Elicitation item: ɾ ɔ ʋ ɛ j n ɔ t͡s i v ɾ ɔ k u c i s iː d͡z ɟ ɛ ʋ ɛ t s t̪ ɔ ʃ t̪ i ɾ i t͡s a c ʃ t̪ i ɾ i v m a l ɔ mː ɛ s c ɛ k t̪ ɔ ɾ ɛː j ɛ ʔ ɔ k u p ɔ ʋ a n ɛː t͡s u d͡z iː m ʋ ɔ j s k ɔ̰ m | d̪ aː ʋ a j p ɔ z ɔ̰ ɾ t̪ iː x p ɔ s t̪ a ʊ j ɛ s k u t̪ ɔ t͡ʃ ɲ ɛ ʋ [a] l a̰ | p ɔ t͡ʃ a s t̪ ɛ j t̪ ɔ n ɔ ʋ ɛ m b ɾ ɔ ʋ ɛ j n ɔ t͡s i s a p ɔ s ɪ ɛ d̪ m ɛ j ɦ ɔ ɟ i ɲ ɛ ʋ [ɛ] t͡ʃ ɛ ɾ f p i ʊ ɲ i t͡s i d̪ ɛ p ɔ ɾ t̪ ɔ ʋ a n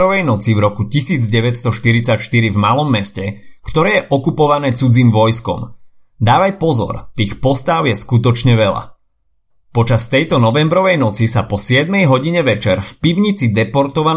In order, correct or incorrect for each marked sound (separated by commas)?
incorrect, correct